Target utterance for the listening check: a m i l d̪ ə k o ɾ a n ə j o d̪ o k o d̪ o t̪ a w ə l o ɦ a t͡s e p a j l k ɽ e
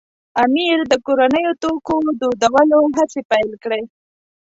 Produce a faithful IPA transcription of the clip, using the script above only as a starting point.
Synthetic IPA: a m i ɾ d̪ ə k o ɾ a n ə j o t̪ o k o d̪ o d̪ a w ə l o ɦ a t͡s e p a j l k ɽ e